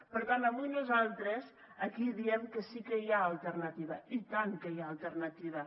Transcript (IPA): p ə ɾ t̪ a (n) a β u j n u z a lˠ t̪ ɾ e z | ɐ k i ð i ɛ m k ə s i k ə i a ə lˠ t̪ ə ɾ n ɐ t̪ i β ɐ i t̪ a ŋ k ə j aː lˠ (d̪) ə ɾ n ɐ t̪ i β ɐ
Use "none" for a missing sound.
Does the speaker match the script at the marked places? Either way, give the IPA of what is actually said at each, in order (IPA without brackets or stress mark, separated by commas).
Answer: n, t̪